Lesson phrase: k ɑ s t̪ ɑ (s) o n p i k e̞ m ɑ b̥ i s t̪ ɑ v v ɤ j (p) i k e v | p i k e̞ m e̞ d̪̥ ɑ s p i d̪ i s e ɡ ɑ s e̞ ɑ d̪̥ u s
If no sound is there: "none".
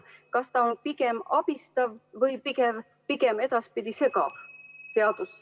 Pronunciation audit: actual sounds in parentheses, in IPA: none, p

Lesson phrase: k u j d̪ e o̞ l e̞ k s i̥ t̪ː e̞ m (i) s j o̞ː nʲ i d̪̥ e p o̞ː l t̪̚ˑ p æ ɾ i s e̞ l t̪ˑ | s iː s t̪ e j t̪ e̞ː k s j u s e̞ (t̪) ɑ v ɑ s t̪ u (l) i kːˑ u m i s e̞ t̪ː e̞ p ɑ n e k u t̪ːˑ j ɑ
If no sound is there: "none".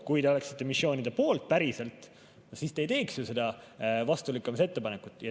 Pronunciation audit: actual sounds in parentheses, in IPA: i, d̪, l

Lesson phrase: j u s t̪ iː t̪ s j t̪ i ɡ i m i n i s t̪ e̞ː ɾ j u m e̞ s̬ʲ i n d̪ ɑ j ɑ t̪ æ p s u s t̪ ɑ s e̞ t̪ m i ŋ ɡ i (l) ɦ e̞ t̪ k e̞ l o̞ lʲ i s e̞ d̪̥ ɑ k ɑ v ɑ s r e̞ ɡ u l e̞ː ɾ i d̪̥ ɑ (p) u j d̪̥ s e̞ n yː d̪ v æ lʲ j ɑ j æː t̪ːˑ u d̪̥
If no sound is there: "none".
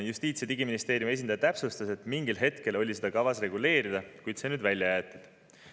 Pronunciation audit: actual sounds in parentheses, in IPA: l, k

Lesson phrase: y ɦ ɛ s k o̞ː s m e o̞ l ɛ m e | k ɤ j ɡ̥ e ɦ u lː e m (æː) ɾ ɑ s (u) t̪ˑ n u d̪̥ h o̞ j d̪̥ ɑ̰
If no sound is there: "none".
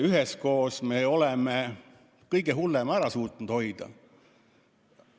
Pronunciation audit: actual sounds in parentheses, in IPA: æ, uː

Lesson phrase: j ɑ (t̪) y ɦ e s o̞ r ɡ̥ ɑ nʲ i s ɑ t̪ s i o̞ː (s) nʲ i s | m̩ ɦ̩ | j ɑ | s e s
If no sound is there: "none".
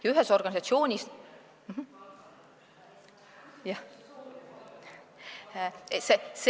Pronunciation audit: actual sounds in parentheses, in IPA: none, none

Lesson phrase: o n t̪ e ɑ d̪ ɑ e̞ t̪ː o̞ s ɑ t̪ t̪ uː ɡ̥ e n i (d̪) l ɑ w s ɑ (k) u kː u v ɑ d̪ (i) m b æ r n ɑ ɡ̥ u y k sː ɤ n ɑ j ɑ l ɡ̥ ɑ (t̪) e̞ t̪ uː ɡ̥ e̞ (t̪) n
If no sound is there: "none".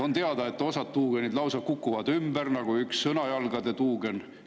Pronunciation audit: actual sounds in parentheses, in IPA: d̪, k, y, d̪, none

